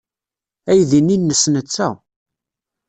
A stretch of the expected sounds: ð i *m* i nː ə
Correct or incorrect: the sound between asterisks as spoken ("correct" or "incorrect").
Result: incorrect